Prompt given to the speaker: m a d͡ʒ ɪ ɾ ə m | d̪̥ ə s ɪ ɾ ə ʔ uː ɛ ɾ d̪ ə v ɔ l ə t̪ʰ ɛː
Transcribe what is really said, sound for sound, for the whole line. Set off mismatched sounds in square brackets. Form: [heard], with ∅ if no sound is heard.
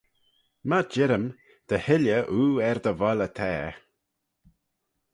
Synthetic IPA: m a d͡ʒ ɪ ɾ ə m | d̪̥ ə [h] ɪ [l] ə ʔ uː ɛ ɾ d̪ ə v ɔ l ə t̪ʰ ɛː